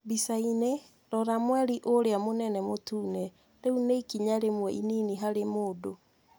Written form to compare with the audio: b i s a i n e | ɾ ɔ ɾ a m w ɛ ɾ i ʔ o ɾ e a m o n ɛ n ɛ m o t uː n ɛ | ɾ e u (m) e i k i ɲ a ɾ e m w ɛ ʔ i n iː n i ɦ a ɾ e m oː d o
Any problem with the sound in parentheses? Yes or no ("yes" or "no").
yes